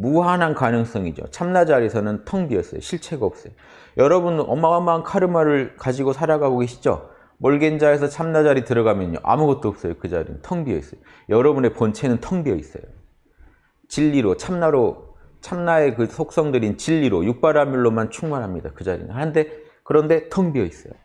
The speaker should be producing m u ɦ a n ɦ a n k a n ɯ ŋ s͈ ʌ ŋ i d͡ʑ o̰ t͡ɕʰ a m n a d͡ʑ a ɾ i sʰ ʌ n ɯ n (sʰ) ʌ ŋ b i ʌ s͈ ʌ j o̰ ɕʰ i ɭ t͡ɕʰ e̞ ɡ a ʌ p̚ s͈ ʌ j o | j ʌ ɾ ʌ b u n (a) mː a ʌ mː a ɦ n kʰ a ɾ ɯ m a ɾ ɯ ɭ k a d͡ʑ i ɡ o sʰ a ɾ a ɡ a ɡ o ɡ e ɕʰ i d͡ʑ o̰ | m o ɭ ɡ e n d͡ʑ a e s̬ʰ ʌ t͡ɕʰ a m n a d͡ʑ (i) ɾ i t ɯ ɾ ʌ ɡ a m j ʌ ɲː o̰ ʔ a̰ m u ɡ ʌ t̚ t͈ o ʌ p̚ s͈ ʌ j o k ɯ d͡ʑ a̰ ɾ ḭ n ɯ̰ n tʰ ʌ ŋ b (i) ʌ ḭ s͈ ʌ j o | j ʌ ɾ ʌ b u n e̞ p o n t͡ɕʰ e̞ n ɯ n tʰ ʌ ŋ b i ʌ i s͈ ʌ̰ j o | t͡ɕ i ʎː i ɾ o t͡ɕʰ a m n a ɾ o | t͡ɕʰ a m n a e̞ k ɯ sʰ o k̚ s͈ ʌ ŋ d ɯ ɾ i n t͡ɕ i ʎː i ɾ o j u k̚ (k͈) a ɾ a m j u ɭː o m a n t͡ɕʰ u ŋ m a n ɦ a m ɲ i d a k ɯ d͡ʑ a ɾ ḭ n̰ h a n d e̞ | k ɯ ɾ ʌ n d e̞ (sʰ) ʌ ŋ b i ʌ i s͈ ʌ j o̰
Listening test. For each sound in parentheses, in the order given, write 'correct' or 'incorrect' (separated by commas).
incorrect, incorrect, incorrect, correct, incorrect, incorrect